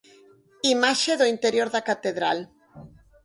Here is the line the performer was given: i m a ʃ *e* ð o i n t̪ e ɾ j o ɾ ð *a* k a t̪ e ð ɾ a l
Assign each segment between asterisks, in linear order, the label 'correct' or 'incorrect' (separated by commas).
correct, correct